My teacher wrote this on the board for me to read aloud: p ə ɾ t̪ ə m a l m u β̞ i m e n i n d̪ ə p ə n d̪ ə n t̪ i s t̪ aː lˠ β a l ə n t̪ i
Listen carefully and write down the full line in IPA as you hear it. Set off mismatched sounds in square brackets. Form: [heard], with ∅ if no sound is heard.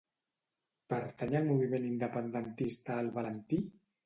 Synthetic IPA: p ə ɾ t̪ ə [ɲ] a l m u β̞ i m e n i n d̪ ə p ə n d̪ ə n t̪ i s t̪ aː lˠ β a l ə n t̪ i